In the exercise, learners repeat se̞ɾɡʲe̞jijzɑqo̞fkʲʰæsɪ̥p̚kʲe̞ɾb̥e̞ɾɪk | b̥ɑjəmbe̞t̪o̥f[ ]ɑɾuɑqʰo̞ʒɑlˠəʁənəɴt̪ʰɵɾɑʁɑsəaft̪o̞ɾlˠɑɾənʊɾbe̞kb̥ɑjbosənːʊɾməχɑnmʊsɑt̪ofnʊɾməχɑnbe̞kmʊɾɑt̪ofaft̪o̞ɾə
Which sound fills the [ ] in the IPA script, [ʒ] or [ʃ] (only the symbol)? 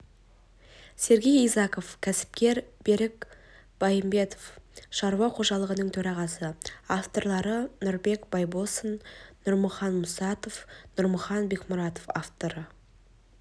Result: ʃ